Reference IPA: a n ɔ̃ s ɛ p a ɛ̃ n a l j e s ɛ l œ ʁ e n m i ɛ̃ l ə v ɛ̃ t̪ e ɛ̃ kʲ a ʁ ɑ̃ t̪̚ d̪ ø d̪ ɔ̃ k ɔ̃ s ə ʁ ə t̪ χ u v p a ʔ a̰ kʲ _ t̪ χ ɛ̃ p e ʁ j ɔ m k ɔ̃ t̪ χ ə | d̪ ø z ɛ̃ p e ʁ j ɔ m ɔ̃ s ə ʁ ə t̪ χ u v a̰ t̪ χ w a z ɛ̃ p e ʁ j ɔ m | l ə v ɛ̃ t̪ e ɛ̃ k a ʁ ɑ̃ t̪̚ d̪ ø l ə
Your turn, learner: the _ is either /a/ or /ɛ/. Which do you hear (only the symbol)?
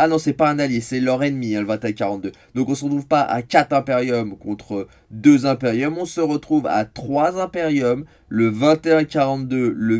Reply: a